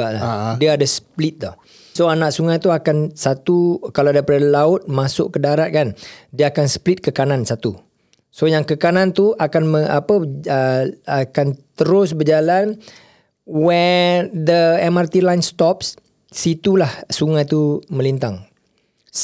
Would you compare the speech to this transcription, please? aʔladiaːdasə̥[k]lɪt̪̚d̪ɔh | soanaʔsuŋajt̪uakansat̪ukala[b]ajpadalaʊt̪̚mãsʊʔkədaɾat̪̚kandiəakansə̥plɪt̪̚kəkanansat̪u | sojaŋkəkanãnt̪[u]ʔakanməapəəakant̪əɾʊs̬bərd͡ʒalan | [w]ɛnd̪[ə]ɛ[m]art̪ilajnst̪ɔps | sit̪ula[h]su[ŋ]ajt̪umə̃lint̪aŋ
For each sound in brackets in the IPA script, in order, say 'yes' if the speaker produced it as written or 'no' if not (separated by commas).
no, no, yes, yes, yes, yes, yes, yes